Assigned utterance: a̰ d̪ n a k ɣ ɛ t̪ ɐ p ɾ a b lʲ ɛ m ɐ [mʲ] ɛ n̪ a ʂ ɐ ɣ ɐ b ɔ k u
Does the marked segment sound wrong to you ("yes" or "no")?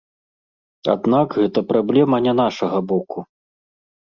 yes